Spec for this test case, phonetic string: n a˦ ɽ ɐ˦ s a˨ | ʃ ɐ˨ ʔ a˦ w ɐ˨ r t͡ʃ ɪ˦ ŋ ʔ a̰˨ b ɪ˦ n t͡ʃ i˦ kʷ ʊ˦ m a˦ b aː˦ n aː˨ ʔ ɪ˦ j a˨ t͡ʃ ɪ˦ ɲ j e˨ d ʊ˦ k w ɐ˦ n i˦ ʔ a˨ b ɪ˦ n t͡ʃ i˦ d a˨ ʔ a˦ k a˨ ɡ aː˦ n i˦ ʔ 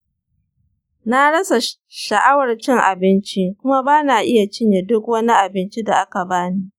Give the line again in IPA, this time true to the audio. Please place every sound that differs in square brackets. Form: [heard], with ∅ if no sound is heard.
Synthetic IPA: n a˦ ɽ ɐ˦ s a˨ | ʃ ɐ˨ ʔ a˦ w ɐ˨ r t͡ʃ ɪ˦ ŋ ʔ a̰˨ b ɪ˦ n t͡ʃ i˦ kʷ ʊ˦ m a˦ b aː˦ n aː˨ ʔ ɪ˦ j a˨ t͡ʃ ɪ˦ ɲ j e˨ d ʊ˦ k w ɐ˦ n i˦ ʔ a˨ b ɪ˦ n t͡ʃ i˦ d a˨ ʔ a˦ k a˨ [b] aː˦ n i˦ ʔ